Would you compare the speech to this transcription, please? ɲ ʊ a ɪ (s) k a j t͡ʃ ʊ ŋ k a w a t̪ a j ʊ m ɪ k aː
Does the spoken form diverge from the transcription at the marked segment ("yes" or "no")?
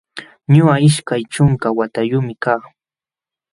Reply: yes